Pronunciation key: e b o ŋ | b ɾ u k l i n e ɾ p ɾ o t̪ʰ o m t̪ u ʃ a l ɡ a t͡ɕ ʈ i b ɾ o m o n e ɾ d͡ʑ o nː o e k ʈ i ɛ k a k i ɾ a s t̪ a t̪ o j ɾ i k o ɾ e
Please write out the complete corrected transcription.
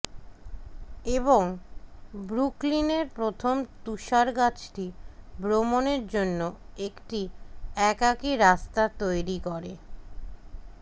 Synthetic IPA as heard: e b o ŋ | b ɾ u k l i n e ɾ p ɾ o t̪ʰ o m t̪ u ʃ a ɾ ɡ a t͡ɕ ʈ i b ɾ o m o n e ɾ d͡ʑ o nː o e k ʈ i ɛ k a k i ɾ a s t̪ a t̪ o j ɾ i k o ɾ e